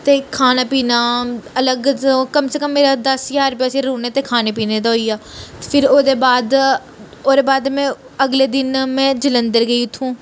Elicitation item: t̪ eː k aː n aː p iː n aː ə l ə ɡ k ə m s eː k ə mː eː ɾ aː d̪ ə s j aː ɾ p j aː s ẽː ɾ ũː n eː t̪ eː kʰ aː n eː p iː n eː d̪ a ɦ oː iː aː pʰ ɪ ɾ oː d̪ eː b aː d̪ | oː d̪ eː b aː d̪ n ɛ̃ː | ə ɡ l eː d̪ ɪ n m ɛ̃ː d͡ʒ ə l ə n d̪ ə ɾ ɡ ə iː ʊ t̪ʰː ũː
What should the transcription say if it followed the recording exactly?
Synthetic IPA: t̪ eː kʰ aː n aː p iː n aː ə l ə ɡ k ə m s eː k ə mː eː ɾ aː d̪ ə s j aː ɾ p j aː s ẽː ɾ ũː n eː t̪ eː kʰ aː n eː p iː n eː d̪ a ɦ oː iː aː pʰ ɪ ɾ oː d̪ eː b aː d̪ | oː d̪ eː b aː d̪ m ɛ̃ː | ə ɡ l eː d̪ ɪ n m ɛ̃ː d͡ʒ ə l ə n d̪ ə ɾ ɡ ə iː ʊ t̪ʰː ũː